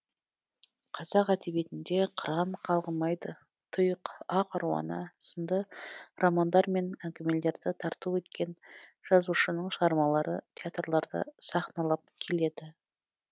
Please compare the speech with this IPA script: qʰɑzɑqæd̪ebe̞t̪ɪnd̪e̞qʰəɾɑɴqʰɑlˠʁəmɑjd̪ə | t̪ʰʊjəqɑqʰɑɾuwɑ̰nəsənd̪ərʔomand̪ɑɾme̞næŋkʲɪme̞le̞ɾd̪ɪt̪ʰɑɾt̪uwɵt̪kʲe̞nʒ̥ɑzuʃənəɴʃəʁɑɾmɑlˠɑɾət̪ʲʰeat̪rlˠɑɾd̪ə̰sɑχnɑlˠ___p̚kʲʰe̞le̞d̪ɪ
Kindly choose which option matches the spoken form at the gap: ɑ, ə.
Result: ɑ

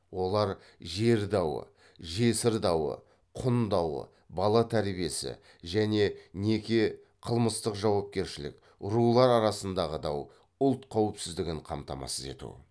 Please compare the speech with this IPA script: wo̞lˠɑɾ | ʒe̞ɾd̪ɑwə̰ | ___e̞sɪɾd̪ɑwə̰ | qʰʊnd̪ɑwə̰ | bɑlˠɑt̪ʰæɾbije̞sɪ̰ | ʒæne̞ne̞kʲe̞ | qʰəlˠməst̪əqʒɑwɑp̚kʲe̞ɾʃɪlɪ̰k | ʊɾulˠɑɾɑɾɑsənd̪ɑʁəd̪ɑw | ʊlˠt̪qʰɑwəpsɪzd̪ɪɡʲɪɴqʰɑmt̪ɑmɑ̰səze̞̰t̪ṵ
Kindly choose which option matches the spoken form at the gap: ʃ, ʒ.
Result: ʒ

